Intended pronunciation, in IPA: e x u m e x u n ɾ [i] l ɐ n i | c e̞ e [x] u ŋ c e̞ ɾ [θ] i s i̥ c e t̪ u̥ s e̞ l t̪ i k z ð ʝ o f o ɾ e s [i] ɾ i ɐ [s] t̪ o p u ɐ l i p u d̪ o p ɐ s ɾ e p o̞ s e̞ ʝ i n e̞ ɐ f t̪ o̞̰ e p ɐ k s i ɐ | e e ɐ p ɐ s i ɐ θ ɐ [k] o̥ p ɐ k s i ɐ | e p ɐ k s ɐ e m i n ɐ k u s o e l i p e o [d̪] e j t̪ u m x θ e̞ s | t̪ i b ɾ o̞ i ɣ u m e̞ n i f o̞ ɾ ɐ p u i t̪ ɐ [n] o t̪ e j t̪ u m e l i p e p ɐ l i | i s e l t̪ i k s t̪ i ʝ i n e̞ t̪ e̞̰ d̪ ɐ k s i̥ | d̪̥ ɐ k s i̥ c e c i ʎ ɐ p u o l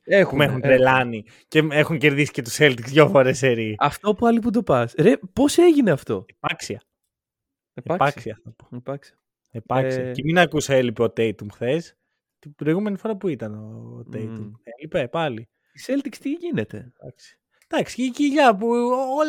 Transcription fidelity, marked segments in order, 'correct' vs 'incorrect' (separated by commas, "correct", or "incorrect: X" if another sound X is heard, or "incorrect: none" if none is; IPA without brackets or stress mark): incorrect: e, correct, incorrect: ð, incorrect: e, incorrect: f, incorrect: p, incorrect: t̪, correct